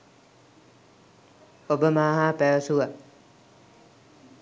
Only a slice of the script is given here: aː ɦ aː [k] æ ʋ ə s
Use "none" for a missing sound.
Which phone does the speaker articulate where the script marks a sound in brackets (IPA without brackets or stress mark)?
p